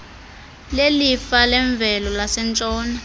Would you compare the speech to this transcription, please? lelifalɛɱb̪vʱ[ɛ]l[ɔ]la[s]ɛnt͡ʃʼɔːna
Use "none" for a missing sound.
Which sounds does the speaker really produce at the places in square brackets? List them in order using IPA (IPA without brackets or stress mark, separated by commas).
ɛ, ɔ, s